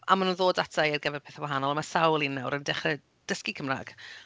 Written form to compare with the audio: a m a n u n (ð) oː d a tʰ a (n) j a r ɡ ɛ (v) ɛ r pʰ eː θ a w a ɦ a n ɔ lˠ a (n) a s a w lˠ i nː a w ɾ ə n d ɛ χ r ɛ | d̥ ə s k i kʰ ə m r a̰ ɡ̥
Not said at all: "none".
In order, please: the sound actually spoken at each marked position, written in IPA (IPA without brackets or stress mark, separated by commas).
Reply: ð, none, v, m